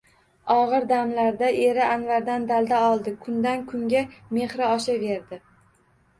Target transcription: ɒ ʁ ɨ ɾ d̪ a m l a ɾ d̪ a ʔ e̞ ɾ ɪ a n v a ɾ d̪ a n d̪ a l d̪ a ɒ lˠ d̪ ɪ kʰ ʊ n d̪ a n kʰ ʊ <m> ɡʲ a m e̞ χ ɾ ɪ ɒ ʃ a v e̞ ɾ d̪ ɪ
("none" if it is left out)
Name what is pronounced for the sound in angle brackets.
ŋ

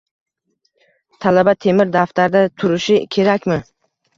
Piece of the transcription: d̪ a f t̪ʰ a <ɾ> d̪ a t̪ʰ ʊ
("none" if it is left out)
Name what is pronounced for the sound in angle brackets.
ɾ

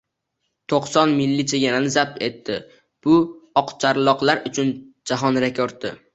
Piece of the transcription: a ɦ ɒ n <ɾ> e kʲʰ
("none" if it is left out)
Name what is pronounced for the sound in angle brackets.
ɾ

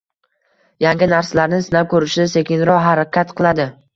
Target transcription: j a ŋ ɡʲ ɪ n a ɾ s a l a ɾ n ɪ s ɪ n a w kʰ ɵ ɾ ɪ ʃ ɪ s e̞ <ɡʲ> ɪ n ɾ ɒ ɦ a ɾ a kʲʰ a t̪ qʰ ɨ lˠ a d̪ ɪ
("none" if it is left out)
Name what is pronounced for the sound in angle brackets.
kʲ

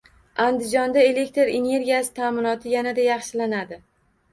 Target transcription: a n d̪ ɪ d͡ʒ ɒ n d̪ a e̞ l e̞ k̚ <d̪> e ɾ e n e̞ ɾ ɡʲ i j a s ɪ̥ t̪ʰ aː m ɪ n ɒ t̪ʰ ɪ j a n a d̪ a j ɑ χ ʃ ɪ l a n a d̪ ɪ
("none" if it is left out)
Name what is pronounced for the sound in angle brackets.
t̪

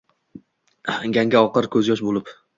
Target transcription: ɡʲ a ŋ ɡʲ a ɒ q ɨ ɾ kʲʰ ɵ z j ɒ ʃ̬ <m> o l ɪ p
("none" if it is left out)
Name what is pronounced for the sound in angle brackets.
b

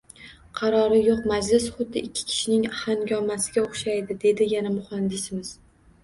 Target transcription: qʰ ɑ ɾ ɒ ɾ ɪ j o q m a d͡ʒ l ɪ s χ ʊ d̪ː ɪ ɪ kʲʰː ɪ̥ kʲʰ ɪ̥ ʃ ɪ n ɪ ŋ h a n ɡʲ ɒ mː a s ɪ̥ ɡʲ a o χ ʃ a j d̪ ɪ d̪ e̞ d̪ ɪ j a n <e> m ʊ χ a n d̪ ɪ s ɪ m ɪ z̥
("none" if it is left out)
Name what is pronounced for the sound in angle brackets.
a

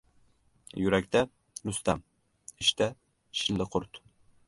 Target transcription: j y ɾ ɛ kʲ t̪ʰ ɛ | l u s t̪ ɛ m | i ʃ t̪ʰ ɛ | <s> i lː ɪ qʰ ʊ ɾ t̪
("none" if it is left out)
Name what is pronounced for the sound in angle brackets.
ʃ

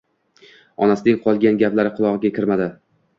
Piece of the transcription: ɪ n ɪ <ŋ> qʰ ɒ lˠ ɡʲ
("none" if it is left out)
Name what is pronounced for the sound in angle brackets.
ŋ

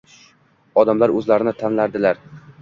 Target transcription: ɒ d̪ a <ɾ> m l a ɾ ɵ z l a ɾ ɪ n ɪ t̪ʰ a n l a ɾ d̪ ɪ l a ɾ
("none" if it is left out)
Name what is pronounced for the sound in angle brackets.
none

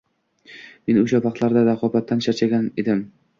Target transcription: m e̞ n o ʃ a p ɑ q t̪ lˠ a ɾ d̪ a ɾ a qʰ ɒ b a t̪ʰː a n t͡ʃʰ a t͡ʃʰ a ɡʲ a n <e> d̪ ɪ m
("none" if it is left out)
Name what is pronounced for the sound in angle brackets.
e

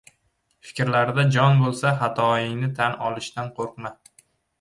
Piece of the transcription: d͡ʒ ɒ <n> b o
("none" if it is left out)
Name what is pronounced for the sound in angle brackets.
n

